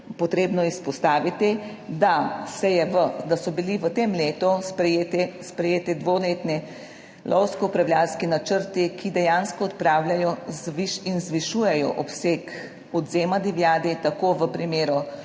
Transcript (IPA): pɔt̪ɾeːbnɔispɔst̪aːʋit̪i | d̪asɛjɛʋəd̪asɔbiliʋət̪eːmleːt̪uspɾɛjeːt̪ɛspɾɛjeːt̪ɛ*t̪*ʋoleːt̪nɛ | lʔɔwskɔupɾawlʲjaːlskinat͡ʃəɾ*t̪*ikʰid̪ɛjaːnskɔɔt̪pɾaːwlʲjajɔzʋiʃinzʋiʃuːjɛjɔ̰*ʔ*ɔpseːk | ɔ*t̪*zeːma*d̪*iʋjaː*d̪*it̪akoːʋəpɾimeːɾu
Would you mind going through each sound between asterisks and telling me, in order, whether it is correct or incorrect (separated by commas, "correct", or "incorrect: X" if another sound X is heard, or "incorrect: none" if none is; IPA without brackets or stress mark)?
incorrect: d̪, correct, correct, incorrect: d̪, correct, correct